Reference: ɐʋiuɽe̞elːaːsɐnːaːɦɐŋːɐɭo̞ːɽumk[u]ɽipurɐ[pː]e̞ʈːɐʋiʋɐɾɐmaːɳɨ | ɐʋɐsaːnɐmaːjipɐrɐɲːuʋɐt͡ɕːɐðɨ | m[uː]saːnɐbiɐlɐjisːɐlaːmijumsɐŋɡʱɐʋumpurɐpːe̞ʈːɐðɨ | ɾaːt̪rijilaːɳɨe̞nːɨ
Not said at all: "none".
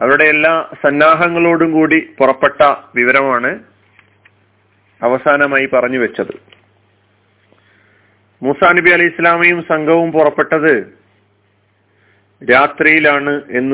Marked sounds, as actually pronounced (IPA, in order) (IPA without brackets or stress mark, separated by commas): uː, pː, uː